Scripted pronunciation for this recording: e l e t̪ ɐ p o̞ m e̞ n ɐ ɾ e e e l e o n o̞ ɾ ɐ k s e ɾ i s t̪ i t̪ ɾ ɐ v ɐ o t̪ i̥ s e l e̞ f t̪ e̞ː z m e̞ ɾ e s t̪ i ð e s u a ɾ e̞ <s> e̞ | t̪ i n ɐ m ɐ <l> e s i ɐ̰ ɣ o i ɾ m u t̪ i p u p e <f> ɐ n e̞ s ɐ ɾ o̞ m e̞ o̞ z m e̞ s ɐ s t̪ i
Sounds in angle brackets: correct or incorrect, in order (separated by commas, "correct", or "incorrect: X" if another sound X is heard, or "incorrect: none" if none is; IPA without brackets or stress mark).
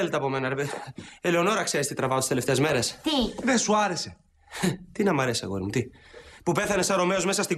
correct, incorrect: ɾ, incorrect: θ